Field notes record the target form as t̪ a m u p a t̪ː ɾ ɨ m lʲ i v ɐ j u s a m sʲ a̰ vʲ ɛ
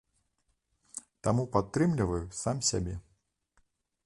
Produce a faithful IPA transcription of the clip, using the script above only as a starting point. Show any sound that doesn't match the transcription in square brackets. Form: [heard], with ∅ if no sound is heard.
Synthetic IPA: t̪ a m u p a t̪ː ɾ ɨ m lʲ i v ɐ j u s a m sʲ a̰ [bʲ] ɛ